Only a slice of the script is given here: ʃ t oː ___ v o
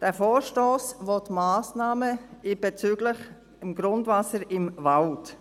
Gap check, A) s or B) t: A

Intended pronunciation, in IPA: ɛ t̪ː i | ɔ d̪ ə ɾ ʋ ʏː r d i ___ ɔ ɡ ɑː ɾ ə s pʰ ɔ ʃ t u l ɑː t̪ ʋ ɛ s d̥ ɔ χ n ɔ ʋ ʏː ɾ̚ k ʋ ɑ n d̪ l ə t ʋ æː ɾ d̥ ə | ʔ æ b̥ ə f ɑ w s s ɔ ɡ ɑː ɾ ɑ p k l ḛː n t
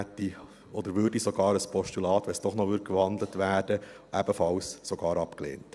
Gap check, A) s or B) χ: A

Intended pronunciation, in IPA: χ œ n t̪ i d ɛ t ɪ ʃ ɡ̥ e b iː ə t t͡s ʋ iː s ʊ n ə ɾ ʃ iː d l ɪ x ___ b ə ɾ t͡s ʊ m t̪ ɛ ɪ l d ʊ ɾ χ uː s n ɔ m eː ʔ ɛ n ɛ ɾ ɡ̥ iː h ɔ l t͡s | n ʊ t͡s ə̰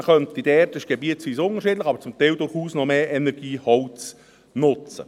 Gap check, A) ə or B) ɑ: B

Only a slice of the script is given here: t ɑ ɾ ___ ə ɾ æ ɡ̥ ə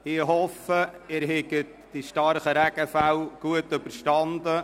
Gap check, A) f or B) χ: B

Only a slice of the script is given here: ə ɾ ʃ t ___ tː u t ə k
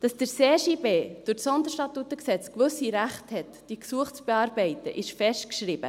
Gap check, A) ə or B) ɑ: B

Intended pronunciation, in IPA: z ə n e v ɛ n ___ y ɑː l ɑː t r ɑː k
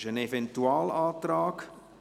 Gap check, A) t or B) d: A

